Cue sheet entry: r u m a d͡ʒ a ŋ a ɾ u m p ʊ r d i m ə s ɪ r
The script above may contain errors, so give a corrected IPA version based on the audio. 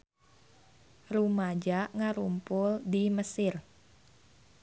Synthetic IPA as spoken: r u m a d͡ʒ a ŋ a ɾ u m p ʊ l d i m ə s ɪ r